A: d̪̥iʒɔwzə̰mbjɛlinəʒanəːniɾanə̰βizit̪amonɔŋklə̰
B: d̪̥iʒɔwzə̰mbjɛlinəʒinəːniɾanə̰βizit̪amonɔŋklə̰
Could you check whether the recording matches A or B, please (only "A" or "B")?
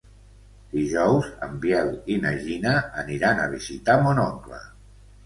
B